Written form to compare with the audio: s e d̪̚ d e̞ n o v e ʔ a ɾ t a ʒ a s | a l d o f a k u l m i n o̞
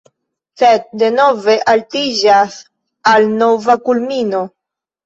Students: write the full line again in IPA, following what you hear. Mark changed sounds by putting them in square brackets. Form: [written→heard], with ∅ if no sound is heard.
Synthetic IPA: s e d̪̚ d e̞ n o v e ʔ a [ɾ→l] t [a→i] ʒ a s | a l [d→n] o [f→v] a k u l m i n o̞